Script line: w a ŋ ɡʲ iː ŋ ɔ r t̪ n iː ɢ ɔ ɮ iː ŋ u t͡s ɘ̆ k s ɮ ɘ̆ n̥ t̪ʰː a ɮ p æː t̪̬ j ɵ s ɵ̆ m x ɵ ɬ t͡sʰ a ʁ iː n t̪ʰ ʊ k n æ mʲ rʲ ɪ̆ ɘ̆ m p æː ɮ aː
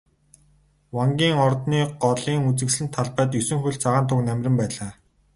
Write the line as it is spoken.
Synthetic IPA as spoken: w a ŋ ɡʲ iː ŋ ɔ r t̪ n iː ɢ ɔ ɮ iː ŋ u t͡s ɘ̆ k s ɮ ɘ̆ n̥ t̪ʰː a ɮ p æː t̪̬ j ɵ s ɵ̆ ŋ x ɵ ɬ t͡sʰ a ʁ aː n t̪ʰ ʊ k n æ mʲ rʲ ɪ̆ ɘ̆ m p æː ɮ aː